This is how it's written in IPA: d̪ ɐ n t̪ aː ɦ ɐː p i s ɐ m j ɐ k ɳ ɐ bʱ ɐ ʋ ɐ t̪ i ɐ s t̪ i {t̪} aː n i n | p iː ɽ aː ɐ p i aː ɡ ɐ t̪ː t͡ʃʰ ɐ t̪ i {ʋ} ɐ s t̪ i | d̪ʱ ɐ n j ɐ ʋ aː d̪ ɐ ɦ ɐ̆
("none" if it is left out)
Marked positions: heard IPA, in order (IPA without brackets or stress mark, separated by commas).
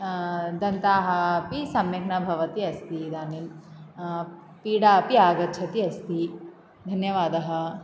d̪, none